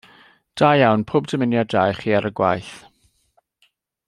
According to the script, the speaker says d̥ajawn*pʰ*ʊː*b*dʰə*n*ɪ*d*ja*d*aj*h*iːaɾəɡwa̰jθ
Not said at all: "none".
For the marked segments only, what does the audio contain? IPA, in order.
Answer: pʰ, b, m, n, d, χ

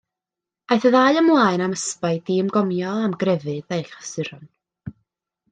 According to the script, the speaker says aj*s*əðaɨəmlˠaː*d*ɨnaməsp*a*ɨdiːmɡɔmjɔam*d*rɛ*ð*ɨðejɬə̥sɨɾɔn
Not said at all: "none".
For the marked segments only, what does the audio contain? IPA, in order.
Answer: θ, none, a, ɡ, v

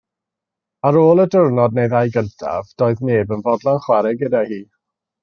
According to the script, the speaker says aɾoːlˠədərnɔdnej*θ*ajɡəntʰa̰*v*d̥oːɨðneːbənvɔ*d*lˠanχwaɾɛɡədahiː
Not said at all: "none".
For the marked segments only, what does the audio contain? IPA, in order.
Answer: ð, v, d

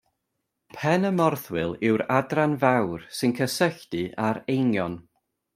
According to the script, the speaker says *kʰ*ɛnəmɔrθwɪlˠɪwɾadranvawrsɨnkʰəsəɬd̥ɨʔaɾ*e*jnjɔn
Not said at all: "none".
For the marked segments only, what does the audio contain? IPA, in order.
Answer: pʰ, e

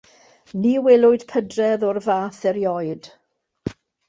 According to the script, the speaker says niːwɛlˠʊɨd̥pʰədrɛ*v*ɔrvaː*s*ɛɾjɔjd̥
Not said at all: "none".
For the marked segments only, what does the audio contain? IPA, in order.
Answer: ð, θ

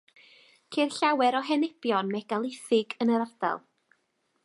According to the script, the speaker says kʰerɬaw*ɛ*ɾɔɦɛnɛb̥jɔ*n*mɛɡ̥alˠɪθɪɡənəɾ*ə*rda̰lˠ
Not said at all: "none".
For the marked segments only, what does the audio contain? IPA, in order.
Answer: ɛ, n, a

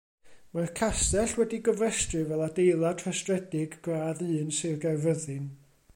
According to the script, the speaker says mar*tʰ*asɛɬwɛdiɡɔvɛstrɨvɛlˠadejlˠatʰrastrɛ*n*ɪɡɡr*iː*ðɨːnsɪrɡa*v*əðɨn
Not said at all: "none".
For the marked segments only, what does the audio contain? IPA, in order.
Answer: kʰ, d, aː, v

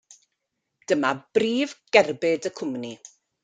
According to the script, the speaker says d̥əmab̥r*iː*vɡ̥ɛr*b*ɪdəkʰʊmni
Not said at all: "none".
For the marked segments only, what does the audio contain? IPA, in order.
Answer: iː, b

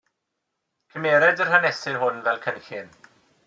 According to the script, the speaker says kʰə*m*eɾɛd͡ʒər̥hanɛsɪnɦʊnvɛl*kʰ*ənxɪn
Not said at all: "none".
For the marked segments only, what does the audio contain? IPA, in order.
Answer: m, kʰ

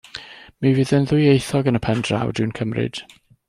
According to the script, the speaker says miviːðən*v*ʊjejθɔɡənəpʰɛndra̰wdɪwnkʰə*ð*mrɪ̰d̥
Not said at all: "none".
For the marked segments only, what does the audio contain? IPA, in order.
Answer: ð, none

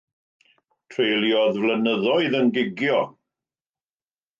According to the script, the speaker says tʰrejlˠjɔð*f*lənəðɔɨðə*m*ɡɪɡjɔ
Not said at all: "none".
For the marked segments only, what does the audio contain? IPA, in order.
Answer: v, n

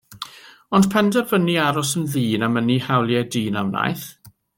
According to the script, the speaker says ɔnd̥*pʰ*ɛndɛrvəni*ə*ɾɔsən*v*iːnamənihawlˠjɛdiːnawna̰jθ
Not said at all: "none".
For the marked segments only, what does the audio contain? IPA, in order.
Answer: pʰ, a, ð

